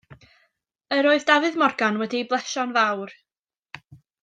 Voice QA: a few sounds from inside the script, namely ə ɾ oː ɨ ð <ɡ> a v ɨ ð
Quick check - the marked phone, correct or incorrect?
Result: incorrect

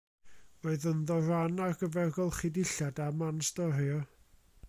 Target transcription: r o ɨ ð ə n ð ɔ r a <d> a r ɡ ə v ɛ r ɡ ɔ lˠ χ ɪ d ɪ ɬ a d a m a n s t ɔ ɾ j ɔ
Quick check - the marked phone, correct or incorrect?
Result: incorrect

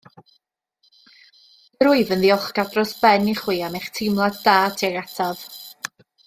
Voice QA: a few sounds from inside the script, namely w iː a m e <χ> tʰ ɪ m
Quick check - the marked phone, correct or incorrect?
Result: correct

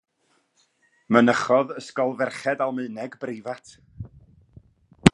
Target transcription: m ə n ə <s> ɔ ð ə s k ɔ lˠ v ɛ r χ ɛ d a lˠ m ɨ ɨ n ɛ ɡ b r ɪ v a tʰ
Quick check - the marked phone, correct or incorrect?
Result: incorrect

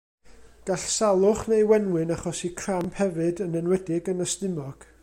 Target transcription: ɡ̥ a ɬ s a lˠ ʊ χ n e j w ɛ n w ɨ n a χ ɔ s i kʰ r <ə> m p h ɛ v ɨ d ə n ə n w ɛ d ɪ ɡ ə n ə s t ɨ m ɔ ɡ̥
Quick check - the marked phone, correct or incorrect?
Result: incorrect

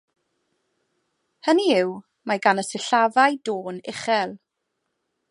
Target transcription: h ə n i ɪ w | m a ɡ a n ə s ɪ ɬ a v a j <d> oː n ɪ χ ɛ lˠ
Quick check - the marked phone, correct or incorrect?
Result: correct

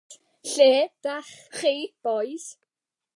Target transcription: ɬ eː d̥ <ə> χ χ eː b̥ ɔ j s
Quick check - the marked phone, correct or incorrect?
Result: incorrect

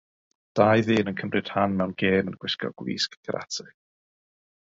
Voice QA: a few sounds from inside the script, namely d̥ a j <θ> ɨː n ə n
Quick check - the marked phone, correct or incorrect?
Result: incorrect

